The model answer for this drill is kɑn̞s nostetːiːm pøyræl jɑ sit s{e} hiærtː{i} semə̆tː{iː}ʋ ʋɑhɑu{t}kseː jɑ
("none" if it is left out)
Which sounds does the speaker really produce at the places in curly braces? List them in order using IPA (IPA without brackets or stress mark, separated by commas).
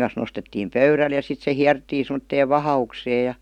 e, iː, eː, none